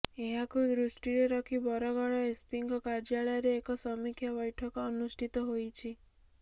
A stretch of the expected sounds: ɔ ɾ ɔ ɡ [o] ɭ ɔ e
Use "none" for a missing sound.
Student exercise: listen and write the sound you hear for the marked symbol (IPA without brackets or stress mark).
ɔ